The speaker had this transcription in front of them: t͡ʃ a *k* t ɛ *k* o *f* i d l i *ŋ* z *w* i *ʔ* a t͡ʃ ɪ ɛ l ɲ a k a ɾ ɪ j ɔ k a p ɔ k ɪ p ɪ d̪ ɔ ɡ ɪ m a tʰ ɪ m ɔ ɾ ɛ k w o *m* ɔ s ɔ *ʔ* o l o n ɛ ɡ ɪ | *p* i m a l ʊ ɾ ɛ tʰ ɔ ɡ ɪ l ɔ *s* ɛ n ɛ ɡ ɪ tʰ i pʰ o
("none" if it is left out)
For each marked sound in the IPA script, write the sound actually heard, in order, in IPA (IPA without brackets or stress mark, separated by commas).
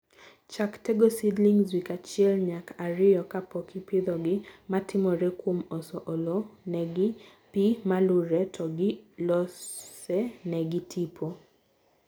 k, ɡ, s, ŋ, w, k, m, ʔ, p, s